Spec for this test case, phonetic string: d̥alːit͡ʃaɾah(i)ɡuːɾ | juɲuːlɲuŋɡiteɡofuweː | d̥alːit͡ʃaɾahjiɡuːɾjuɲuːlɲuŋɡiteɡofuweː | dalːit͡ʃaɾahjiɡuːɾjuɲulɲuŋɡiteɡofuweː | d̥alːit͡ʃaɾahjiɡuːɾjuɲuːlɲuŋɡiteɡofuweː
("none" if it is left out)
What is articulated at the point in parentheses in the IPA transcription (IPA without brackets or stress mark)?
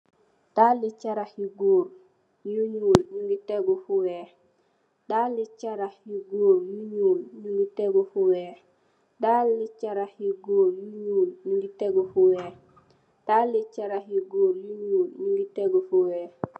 i